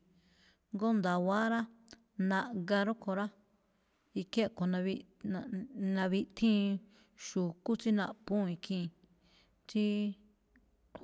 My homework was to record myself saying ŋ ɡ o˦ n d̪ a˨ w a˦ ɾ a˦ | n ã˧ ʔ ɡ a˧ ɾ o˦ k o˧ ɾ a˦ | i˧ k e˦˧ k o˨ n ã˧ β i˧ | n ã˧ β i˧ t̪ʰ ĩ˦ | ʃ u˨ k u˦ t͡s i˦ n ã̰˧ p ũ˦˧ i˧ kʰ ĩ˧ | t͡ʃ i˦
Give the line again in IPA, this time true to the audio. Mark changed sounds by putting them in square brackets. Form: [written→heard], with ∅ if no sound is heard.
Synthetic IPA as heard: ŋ ɡ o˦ n d̪ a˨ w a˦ ɾ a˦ | n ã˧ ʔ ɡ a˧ ɾ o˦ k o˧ ɾ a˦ | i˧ k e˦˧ k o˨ n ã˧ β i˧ | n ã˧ β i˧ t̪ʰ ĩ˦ | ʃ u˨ k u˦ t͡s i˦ n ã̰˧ p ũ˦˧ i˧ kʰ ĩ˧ | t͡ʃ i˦

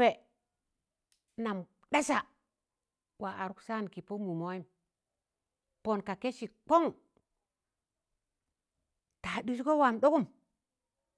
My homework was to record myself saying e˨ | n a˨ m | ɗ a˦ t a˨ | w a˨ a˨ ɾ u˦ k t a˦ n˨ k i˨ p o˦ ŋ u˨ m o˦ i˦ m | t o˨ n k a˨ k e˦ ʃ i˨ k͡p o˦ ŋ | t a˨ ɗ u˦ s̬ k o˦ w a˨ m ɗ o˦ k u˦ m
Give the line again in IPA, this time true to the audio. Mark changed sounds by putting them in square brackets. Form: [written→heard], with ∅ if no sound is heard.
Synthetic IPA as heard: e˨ | n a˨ m | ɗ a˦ [t→s] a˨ | w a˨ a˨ ɾ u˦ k [t→s] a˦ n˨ k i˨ p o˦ [ŋ→m] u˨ m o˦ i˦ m | [t→p] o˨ n k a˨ k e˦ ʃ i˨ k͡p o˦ ŋ | t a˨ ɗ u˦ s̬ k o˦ w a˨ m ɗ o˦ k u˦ m

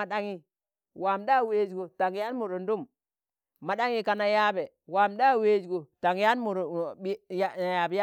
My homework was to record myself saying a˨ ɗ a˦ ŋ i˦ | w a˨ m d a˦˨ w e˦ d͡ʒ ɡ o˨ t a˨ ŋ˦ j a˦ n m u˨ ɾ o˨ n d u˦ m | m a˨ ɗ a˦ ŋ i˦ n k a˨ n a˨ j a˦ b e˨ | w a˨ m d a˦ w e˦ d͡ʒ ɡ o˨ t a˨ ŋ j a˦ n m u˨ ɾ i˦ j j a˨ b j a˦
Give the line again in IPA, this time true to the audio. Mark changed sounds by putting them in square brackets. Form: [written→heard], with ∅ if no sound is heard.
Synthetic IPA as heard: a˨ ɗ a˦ ŋ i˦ | w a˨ m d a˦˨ w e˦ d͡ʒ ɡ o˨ t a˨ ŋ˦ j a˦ n m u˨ ɾ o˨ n d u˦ m | m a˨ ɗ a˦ ŋ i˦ [n→∅] k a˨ n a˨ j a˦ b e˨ | w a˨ m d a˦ w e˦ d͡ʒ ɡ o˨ t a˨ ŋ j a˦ n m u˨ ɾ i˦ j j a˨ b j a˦

